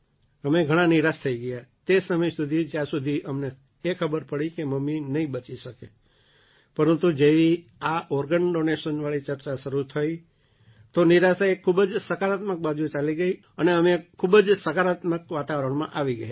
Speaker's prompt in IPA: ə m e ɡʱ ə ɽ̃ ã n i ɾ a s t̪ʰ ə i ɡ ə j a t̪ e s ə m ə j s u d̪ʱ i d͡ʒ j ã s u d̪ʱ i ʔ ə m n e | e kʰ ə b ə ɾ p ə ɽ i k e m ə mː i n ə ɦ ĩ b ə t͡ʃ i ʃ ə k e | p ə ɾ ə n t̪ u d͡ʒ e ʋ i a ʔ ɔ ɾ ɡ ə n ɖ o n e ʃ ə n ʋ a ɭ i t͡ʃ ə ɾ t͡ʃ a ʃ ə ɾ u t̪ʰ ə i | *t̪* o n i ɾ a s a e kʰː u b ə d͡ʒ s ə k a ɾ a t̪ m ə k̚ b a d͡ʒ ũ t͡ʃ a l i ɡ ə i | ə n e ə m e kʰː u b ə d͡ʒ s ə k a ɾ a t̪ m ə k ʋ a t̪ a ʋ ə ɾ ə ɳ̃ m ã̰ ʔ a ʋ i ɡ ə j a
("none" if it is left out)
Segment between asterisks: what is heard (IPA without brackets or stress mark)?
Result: t̪